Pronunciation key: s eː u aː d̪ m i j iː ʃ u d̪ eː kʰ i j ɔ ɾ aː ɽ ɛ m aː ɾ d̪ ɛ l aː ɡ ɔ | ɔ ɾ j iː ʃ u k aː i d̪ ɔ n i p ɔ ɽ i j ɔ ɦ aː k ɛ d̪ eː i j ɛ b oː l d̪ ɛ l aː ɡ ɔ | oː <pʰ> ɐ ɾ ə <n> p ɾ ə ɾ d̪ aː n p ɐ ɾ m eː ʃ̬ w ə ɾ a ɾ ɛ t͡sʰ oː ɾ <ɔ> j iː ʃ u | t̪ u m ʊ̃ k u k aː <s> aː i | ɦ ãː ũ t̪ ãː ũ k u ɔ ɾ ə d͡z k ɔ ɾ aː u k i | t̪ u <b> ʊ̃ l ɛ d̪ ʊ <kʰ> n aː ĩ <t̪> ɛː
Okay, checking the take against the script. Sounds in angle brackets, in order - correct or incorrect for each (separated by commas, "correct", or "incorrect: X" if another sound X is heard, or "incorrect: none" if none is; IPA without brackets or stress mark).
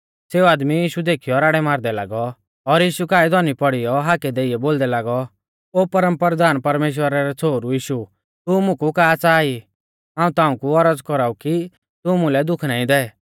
incorrect: p, incorrect: m, incorrect: u, incorrect: t͡s, incorrect: m, correct, incorrect: d̪